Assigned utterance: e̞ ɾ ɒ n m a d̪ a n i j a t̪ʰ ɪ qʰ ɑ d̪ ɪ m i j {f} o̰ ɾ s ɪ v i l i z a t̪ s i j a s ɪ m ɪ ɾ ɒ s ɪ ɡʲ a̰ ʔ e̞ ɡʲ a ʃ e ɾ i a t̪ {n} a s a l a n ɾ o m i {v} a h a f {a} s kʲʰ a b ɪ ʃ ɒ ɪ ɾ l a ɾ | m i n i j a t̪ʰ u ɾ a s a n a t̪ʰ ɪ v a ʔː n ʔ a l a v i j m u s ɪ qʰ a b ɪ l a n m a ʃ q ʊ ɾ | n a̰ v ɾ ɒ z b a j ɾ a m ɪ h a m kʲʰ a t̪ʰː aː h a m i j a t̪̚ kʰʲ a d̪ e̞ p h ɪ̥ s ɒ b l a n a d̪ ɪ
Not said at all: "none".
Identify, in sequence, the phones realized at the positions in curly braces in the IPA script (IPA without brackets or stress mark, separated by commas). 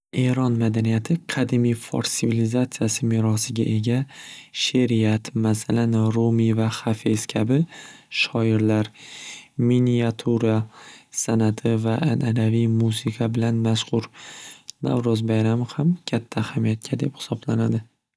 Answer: f, m, v, e